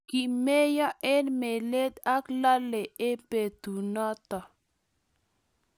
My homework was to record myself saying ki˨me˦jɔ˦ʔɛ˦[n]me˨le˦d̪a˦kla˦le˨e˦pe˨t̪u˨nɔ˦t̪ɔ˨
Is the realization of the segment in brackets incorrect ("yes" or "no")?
no